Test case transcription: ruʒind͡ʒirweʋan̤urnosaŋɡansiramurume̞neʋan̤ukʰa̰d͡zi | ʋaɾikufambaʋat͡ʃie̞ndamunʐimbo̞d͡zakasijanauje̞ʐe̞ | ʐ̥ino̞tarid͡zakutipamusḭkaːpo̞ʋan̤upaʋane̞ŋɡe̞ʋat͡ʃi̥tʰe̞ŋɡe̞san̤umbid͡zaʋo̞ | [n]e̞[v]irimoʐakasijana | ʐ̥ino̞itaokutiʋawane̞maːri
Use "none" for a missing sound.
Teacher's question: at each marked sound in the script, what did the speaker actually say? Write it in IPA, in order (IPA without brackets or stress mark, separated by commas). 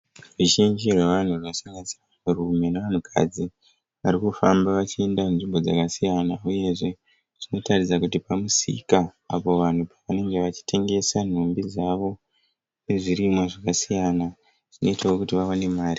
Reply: n, ʐ